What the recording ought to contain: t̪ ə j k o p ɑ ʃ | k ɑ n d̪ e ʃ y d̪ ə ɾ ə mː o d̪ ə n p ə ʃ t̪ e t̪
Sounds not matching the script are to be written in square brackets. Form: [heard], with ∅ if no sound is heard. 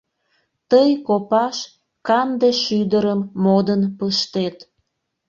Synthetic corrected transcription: t̪ ə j k o p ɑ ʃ | k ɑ n d̪ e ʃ y d̪ ə ɾ ə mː o d̪ ə n p ə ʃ t̪ e t̪